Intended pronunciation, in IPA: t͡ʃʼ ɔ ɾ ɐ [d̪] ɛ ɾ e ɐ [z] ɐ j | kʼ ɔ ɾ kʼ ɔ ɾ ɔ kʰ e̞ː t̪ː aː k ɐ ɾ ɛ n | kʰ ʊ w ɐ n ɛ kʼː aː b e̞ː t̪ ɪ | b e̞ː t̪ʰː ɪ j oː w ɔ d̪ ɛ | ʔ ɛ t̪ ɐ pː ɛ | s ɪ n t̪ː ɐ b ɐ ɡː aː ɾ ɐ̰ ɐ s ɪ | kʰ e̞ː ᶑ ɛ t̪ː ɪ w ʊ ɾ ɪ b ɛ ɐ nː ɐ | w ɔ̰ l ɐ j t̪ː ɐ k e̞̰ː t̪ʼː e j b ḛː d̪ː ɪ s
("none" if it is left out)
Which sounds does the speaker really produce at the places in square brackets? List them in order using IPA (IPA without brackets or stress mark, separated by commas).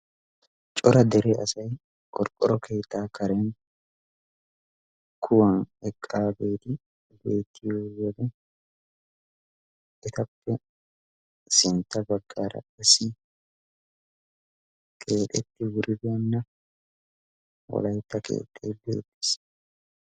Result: d̪, s